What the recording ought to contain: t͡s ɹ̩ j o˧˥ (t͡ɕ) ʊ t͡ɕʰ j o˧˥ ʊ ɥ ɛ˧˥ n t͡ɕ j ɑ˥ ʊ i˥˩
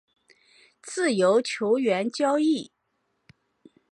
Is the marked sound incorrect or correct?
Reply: incorrect: none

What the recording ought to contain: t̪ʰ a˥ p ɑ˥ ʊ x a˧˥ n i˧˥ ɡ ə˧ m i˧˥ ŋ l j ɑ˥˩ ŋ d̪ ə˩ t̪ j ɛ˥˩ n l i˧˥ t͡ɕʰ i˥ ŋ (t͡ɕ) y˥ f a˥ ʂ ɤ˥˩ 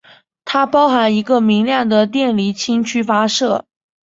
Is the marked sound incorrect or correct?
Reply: incorrect: t͡ɕʰ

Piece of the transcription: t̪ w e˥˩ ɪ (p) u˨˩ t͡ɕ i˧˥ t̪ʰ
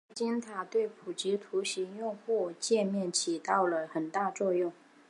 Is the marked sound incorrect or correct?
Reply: incorrect: pʰ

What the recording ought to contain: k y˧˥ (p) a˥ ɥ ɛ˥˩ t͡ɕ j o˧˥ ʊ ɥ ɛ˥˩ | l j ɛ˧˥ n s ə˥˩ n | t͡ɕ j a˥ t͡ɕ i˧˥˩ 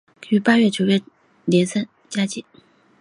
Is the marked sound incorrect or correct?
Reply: correct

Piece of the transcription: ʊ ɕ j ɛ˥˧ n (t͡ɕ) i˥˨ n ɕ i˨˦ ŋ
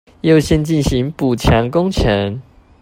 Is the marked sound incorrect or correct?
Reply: correct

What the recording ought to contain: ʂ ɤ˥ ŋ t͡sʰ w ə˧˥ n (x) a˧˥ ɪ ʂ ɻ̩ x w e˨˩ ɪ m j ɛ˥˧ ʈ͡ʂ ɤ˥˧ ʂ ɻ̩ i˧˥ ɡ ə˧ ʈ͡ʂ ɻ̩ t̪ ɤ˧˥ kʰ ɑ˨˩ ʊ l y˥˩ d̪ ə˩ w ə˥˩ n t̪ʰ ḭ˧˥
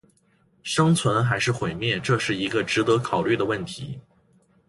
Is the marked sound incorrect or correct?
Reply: correct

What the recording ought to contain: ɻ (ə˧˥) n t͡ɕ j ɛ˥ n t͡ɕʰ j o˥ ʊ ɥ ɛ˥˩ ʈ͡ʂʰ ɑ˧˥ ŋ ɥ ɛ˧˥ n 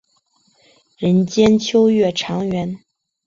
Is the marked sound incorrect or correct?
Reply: correct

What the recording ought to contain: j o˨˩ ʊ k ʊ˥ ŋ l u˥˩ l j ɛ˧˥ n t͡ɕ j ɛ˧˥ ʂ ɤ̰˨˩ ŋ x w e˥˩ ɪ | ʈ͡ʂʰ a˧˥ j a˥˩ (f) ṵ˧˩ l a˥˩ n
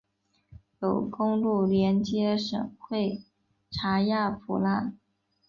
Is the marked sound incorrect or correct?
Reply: correct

